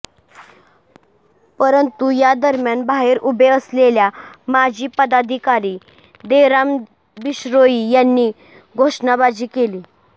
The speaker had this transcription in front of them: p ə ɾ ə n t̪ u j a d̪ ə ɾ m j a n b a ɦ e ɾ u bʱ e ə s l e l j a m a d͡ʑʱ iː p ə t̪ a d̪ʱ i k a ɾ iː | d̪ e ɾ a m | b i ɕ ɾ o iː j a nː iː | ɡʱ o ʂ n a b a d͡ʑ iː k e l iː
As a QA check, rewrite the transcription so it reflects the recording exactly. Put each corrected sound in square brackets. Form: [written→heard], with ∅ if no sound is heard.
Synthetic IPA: p ə ɾ ə n t̪ u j a d̪ ə ɾ m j a n b a ɦ e ɾ u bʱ e ə s l e l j a m a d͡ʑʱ iː p ə [t̪→d̪] a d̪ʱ i k a ɾ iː | d̪ e ɾ a m | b i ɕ ɾ o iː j a nː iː | ɡʱ o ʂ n a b a d͡ʑ iː k e l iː